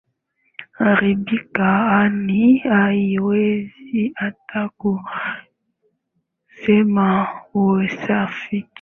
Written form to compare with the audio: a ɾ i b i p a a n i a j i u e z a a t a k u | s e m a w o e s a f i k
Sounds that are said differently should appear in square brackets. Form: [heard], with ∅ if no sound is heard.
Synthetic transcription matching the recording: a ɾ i b i [k] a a n i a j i [w] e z [i] a t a k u | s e m a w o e s a f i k